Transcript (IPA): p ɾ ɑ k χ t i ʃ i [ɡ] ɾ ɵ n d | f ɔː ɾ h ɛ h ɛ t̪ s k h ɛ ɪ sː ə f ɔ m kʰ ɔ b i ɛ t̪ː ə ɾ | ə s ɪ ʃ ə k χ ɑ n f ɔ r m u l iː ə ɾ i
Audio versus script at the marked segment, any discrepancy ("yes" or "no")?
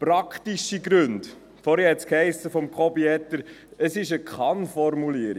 no